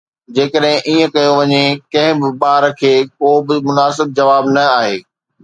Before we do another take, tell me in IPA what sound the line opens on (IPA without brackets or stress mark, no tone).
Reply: d͡ʑ